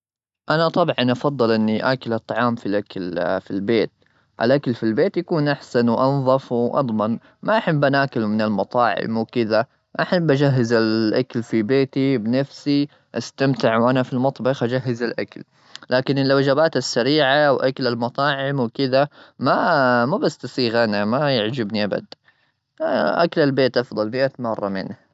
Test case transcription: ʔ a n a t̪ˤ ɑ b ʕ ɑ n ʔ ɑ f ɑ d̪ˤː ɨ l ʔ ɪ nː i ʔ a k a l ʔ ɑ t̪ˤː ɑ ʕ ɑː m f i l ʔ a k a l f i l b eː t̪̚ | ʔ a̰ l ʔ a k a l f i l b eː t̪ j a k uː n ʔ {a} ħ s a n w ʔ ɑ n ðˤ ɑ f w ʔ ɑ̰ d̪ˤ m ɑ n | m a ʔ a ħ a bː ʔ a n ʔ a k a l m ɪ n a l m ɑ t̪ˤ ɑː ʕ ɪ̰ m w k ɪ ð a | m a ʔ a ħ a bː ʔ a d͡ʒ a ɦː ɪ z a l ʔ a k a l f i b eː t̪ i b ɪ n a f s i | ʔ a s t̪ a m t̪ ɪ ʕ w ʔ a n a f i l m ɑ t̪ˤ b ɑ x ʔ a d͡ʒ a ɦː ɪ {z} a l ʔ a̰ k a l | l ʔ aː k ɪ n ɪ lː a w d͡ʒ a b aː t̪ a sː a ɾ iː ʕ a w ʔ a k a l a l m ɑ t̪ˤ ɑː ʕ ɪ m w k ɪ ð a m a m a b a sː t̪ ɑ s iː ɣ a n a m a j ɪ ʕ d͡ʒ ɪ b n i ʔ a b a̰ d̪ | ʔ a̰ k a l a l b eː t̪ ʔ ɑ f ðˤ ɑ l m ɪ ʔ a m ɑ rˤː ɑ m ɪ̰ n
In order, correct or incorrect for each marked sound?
correct, correct

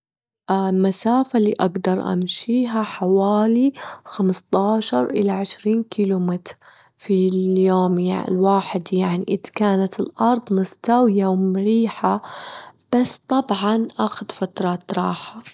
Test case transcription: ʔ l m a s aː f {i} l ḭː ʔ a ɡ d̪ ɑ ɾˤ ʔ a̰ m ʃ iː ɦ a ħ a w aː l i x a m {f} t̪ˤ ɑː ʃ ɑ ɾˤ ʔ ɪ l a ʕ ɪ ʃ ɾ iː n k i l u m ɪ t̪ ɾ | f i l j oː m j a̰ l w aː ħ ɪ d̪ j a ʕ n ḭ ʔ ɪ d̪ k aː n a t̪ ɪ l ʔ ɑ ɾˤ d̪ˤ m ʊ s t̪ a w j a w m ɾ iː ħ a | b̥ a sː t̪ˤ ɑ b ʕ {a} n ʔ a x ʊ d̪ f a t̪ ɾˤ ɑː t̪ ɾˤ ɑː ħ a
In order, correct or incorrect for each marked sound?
incorrect: a, incorrect: s, incorrect: ɑ

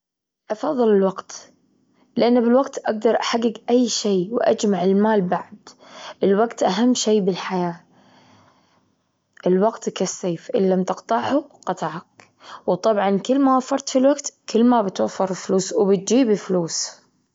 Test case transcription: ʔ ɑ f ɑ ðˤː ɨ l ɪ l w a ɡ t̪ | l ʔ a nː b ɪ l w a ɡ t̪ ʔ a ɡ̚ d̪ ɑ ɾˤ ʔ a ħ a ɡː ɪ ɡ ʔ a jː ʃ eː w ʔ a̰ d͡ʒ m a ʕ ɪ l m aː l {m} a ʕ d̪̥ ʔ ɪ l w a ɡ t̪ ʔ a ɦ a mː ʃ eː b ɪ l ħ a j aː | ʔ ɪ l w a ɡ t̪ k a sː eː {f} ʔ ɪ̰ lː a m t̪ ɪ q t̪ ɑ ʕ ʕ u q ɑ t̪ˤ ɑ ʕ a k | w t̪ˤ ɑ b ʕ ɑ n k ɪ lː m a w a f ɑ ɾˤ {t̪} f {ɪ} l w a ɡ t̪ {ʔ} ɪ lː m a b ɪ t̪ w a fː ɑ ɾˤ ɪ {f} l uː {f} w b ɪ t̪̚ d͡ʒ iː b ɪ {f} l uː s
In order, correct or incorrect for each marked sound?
incorrect: b, correct, correct, incorrect: i, incorrect: k, correct, incorrect: s, correct

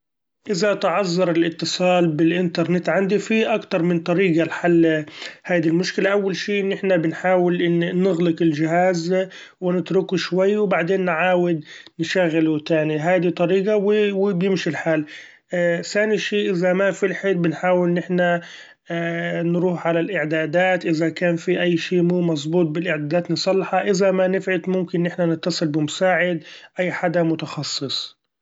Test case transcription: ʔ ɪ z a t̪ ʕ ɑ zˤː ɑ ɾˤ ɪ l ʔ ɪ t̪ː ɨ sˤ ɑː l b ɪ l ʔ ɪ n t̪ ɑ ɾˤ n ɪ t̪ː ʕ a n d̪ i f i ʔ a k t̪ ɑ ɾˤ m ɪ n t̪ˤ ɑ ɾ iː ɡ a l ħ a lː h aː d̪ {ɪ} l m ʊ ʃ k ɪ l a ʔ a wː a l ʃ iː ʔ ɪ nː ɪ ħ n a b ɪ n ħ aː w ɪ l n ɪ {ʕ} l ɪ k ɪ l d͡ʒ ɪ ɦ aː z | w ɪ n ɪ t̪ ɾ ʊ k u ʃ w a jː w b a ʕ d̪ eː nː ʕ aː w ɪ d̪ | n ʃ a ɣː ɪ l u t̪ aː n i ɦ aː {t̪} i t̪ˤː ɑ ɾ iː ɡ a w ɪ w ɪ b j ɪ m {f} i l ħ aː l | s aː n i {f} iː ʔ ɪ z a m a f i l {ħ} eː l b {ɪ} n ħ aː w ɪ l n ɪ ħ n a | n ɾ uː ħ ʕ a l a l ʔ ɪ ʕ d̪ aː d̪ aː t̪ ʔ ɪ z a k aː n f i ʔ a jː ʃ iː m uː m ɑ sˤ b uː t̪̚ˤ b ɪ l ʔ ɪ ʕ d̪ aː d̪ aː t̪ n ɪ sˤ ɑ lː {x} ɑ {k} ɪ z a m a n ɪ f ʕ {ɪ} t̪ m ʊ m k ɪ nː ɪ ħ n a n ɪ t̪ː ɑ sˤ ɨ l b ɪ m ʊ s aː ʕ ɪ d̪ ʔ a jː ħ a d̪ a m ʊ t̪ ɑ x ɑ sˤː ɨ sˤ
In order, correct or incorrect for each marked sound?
incorrect: i, incorrect: ɣ, incorrect: d̪, incorrect: ʃ, incorrect: ʃ, correct, correct, incorrect: ħ, incorrect: ʔ, correct

